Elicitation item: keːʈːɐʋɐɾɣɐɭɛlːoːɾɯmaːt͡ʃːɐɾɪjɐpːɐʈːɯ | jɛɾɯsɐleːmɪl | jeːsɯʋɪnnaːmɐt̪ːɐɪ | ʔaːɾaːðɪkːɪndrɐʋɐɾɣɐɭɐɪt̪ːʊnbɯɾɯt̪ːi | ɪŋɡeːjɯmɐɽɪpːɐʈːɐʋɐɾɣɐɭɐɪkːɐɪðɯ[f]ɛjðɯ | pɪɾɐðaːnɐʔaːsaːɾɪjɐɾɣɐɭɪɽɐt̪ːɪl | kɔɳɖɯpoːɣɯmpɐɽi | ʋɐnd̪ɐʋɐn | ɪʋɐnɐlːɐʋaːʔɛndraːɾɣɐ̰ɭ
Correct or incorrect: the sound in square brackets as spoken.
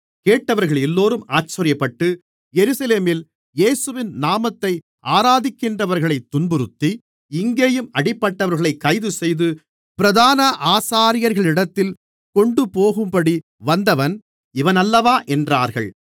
incorrect: s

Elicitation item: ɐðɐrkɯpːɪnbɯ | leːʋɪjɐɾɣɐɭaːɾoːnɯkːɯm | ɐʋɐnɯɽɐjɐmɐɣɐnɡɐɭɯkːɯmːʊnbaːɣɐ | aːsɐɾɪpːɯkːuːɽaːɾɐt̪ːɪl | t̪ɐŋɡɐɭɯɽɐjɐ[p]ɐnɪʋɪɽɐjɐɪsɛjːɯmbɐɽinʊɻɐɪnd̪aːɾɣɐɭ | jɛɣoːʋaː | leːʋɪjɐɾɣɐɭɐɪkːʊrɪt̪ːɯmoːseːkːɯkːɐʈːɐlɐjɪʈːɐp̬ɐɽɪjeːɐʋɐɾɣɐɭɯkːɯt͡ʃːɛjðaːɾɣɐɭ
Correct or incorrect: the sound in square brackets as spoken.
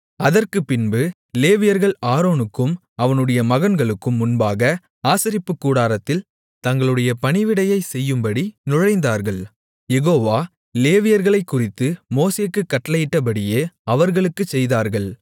correct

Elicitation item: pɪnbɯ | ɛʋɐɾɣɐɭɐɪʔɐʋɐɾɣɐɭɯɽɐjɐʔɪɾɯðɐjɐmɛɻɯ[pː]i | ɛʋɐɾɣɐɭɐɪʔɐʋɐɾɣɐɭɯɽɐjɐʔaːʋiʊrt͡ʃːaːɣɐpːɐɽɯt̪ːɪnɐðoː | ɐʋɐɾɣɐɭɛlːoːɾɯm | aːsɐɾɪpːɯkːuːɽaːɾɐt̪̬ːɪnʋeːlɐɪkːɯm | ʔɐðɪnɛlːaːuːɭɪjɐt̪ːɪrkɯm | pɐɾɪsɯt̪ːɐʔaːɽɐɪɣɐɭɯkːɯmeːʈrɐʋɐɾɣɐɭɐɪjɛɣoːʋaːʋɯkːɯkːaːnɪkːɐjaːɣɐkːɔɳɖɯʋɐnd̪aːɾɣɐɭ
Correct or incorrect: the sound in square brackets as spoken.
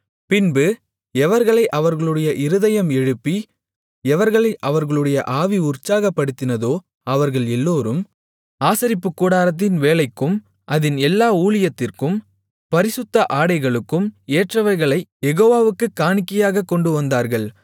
correct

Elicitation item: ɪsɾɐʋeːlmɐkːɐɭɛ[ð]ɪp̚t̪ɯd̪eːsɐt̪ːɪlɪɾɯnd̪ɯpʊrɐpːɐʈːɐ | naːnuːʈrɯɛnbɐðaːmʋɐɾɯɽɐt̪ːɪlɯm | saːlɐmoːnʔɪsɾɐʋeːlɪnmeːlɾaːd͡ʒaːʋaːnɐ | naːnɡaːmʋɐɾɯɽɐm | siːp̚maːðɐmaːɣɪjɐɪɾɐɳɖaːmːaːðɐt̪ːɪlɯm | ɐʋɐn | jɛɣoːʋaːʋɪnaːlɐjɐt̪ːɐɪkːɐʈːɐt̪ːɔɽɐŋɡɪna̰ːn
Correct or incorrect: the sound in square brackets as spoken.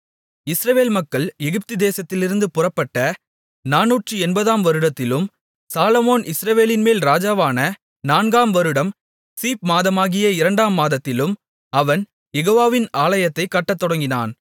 incorrect: ɣ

